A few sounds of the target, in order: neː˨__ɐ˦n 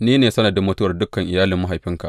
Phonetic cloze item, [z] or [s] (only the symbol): s